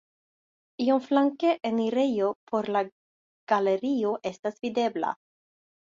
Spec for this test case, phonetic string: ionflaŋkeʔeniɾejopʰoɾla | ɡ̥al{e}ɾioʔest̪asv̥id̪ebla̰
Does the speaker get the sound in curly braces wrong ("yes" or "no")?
no